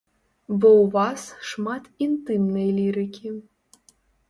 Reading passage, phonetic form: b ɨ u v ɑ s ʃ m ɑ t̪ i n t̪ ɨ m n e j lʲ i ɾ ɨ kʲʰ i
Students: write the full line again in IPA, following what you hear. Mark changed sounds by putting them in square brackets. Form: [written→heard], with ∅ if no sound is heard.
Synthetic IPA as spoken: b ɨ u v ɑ s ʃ m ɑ t̪ i n t̪ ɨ m n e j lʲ i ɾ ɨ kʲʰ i